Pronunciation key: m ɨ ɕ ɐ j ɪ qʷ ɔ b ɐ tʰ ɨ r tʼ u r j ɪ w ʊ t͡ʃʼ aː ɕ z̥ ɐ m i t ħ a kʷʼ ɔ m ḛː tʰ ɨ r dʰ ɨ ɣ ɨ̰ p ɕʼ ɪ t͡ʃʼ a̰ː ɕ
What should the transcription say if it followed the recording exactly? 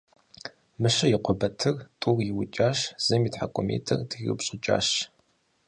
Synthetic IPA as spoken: m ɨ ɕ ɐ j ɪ qʷ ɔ b ɐ tʰ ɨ r tʼ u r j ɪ w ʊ t͡ʃʼ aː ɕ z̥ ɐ m i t ħ a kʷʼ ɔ m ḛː tʰ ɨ r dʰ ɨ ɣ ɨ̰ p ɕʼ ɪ t͡ʃʼ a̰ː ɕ